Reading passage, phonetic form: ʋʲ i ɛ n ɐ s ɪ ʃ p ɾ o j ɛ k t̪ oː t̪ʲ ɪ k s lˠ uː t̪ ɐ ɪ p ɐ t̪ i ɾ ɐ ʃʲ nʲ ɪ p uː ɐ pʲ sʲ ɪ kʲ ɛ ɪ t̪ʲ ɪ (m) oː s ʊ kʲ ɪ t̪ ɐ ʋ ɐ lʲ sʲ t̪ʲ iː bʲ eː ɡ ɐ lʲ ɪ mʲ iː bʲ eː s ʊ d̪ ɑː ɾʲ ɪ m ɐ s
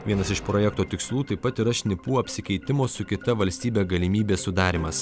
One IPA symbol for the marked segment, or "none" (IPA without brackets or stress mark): m